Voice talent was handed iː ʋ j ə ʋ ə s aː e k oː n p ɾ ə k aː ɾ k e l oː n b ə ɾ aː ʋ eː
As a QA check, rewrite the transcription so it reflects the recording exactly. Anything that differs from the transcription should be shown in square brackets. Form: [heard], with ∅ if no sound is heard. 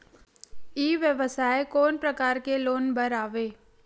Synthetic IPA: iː ʋ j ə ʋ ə s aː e k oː n p ɾ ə k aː ɾ k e l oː n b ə ɾ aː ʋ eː